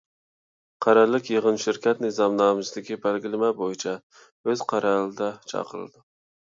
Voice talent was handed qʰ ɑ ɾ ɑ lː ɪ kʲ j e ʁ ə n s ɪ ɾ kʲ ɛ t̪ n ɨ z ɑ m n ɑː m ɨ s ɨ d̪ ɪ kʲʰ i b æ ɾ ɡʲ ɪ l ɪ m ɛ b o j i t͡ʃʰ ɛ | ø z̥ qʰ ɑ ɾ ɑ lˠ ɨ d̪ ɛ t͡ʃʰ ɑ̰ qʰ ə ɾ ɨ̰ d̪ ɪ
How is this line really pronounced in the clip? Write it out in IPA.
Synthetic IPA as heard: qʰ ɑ ɾ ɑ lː ɪ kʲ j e ʁ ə n ʃ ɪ ɾ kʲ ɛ t̪ n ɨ z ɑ m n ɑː m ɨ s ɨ d̪ ɪ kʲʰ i b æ l ɡʲ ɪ l ɪ m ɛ b o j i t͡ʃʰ ɛ | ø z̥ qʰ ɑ ɾ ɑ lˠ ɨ d̪ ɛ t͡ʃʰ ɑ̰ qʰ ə ɾ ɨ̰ d̪ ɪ